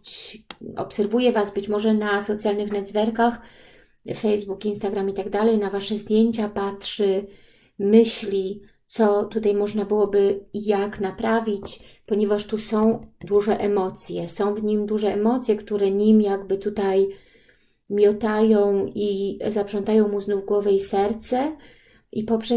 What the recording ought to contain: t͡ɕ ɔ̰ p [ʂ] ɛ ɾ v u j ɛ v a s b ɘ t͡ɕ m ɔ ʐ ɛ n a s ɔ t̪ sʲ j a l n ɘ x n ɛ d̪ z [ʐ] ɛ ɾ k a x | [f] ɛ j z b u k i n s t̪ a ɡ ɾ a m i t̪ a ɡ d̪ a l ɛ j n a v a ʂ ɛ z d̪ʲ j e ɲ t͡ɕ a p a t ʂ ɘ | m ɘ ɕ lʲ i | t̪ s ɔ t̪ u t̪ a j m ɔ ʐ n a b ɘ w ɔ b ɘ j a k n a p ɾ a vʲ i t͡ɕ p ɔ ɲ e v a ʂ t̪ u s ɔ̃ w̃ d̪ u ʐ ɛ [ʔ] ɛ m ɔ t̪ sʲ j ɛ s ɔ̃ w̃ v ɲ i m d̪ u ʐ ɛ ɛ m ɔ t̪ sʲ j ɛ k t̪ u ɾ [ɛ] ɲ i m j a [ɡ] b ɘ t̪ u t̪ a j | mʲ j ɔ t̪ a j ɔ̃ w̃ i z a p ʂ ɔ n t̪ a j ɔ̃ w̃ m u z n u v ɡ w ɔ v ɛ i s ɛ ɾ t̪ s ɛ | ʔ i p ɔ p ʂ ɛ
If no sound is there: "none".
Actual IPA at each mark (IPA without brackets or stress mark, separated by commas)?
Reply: s, v, f, ʔ, ɛ, ɡ